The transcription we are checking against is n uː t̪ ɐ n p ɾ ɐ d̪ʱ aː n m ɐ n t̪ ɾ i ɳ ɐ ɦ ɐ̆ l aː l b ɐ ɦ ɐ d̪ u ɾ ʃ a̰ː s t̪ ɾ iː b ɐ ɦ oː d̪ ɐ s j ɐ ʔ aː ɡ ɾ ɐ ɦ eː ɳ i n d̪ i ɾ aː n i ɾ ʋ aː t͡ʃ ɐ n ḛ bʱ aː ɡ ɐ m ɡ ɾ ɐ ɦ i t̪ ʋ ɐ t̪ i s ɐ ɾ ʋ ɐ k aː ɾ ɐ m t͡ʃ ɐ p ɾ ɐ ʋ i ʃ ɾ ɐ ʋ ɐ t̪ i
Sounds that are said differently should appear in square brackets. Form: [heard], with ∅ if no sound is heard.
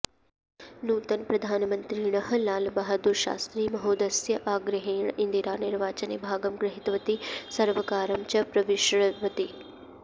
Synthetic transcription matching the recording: n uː t̪ ɐ n p ɾ ɐ d̪ʱ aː n m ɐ n t̪ ɾ i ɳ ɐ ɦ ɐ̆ l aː l b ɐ ɦ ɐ d̪ u ɾ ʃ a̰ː s t̪ ɾ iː [m] ɐ ɦ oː d̪ ɐ s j ɐ ʔ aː ɡ ɾ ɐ ɦ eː ɳ i n d̪ i ɾ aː n i ɾ ʋ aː t͡ʃ ɐ n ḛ bʱ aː ɡ ɐ m ɡ ɾ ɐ ɦ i t̪ ʋ ɐ t̪ i s ɐ ɾ ʋ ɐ k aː ɾ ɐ m t͡ʃ ɐ p ɾ ɐ ʋ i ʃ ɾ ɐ ʋ ɐ t̪ i

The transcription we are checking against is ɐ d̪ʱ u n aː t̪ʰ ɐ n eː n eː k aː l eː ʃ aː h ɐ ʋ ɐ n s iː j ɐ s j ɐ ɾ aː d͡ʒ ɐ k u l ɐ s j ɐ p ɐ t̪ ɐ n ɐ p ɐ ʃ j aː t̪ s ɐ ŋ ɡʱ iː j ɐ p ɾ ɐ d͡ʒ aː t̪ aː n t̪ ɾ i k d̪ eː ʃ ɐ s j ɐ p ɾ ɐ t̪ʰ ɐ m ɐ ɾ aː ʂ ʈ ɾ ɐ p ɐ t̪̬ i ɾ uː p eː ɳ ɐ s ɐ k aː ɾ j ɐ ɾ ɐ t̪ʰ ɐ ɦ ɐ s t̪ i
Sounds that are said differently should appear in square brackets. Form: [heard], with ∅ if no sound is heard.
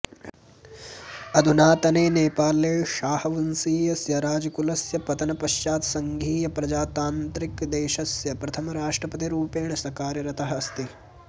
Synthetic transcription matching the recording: ɐ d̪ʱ u n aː [t̪] ɐ n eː n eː [p] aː l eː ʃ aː h ɐ ʋ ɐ n s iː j ɐ s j ɐ ɾ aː d͡ʒ ɐ k u l ɐ s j ɐ p ɐ t̪ ɐ n ɐ p ɐ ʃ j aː t̪ s ɐ ŋ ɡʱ iː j ɐ p ɾ ɐ d͡ʒ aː t̪ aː n t̪ ɾ i k d̪ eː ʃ ɐ s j ɐ p ɾ ɐ t̪ʰ ɐ m ɐ ɾ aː ʂ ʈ ɾ ɐ p ɐ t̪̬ i ɾ uː p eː ɳ ɐ s ɐ k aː ɾ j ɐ ɾ ɐ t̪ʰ ɐ ɦ ɐ s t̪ i

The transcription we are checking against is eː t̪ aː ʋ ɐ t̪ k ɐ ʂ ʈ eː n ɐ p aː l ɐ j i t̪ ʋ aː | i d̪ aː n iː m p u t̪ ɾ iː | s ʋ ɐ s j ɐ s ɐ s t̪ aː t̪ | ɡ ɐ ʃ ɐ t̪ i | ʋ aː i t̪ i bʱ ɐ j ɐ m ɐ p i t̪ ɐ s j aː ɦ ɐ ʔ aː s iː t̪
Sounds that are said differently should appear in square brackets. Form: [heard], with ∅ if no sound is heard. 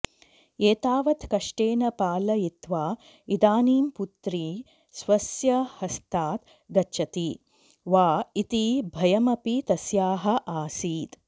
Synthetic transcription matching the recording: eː t̪ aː ʋ ɐ t̪ k ɐ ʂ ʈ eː n ɐ p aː l ɐ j i t̪ ʋ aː | i d̪ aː n iː m p u t̪ ɾ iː | s ʋ ɐ s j ɐ [h] ɐ s t̪ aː t̪ | ɡ ɐ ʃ ɐ t̪ i | ʋ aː i t̪ i bʱ ɐ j ɐ m ɐ p i t̪ ɐ s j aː ɦ ɐ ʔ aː s iː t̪

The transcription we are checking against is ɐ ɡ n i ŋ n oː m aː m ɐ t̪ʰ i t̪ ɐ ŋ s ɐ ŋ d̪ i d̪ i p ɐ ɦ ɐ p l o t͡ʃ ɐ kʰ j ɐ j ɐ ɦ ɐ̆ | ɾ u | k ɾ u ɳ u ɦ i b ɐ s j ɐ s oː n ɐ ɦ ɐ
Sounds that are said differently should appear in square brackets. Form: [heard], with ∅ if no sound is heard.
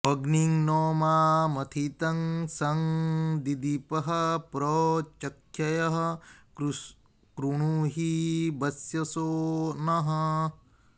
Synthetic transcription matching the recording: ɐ ɡ n i ŋ n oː m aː m ɐ t̪ʰ i t̪ ɐ ŋ s ɐ ŋ d̪ i d̪ i p ɐ ɦ ɐ p [ɾ] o t͡ʃ ɐ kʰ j ɐ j ɐ ɦ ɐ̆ | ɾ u | k ɾ u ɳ u ɦ i b ɐ s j ɐ s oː n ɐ ɦ ɐ

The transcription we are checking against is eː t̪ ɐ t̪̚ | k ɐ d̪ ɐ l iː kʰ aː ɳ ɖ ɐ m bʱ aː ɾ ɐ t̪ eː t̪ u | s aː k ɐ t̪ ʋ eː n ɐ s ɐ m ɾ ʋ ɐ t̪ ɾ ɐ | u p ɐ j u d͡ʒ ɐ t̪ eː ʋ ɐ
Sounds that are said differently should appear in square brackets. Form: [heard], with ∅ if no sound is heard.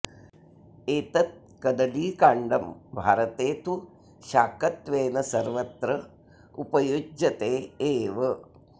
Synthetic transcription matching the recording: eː t̪ ɐ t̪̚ | k ɐ d̪ ɐ l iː [k] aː ɳ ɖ ɐ m bʱ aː ɾ ɐ t̪ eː t̪ u | [ʃ] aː k ɐ t̪ ʋ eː n ɐ s ɐ [∅] ɾ ʋ ɐ t̪ ɾ ɐ | u p ɐ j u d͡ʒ ɐ t̪ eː ʋ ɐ

